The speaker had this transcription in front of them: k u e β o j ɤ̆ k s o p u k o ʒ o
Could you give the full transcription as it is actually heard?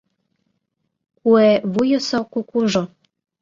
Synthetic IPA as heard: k u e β u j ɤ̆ s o k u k u ʒ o